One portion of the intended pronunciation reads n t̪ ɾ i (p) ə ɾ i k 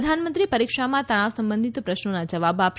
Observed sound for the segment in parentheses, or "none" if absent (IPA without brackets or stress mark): p